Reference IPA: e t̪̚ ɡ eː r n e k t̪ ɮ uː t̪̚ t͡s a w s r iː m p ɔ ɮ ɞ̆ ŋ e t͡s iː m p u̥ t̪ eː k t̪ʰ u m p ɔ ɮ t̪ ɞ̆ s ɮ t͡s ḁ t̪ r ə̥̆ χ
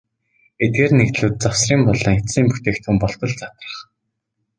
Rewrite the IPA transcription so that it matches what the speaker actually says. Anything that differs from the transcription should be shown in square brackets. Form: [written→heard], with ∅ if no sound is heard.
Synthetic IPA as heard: e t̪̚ ɡ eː r n e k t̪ ɮ uː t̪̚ t͡s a w s r iː m p ɔ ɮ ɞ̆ ŋ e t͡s iː m p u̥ t̪ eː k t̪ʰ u m p ɔ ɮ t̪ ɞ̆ [s→∅] ɮ t͡s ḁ t̪ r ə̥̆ χ